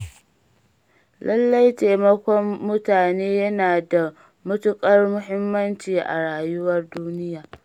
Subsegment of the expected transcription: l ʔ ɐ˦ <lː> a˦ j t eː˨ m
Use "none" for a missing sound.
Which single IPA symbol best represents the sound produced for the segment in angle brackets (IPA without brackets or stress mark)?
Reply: lː